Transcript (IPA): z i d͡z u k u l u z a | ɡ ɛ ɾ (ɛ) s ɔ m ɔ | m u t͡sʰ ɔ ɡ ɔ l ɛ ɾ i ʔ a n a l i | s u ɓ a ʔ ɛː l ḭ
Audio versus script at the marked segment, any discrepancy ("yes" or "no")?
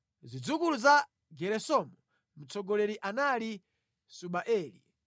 no